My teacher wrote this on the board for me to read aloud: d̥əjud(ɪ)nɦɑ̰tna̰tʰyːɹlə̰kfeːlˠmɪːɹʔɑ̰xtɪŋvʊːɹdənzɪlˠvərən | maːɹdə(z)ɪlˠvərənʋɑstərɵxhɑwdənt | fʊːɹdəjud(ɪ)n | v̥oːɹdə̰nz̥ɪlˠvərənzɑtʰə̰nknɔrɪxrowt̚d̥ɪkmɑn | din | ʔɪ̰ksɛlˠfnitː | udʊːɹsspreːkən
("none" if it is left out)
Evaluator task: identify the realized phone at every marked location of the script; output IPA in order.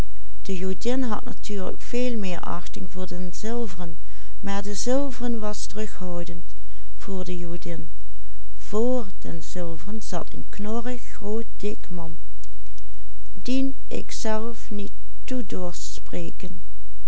ɪ, z, ɪ

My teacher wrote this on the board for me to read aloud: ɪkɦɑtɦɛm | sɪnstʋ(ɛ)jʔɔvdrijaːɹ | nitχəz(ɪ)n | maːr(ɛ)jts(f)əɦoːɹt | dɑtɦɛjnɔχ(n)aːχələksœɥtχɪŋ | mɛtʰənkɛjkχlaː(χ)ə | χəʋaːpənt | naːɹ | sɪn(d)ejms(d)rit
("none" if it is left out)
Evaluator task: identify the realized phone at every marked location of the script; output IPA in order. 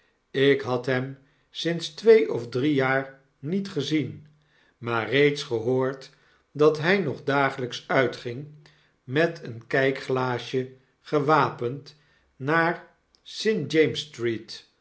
e, i, e, χ, d, ʃ, d͡ʒ, t

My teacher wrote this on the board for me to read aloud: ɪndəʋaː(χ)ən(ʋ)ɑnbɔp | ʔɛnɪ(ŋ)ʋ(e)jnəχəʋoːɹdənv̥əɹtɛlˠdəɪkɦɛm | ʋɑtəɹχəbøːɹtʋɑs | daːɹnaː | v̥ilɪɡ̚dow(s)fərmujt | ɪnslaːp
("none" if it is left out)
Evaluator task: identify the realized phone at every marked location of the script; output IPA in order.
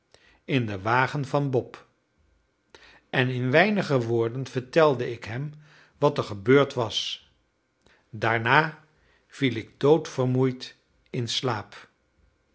χ, v, n, ɛ, t

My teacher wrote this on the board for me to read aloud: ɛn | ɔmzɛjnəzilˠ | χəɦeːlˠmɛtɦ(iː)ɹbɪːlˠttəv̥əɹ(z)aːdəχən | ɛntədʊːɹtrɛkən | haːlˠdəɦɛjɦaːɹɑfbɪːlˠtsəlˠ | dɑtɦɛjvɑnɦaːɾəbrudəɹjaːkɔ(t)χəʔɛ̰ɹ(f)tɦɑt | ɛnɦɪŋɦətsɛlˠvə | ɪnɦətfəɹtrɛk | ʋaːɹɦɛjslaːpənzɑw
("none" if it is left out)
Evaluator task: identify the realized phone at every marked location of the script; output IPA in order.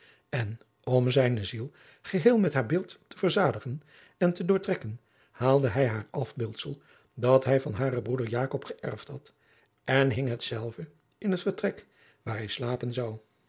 aː, z, p, f

